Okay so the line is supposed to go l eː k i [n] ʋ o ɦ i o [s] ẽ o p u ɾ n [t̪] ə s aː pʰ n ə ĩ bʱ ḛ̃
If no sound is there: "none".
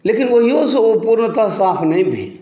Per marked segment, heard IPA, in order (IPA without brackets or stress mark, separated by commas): n, s, t̪